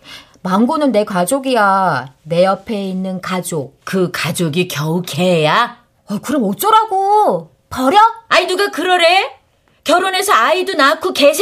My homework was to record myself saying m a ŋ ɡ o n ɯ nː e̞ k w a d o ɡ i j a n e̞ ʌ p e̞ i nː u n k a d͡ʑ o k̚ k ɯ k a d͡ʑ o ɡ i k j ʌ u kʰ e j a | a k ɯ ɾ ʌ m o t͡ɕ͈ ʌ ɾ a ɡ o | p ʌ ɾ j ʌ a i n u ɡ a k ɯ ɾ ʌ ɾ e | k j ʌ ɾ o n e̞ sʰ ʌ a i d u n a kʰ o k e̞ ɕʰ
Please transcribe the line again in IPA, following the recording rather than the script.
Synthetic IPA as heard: m a ŋ ɡ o n ɯ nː e̞ k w a d͡ʑ o ɡ i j a n e̞ ʌ pʰ e̞ i nː ɯ n k a d͡ʑ o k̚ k ɯ k a d͡ʑ o ɡ i k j ʌ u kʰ e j a | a k ɯ ɾ ʌ m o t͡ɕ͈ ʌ ɾ a ɡ o | p ʌ ɾ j ʌ a i n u ɡ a k ɯ ɾ ʌ ɾ e | k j ʌ ɾ o n e̞ sʰ ʌ a i d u n a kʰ o k e̞ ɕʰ